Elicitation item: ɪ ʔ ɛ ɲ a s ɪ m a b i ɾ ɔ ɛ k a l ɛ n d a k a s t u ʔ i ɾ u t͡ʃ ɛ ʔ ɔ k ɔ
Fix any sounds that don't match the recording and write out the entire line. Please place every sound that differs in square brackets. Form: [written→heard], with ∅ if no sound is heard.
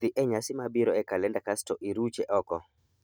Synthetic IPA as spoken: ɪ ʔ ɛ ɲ a s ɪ m a b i ɾ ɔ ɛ k a l ɛ n d a k a s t [u→ɔ] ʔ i ɾ u t͡ʃ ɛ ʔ ɔ k ɔ